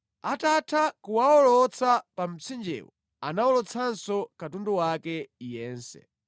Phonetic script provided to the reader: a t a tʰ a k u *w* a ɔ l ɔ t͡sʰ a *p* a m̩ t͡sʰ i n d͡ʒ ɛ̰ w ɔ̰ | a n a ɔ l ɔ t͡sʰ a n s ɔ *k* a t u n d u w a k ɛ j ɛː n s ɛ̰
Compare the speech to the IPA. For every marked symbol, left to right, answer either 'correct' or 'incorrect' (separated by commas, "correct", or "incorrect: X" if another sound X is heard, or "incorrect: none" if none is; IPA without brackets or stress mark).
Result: correct, correct, correct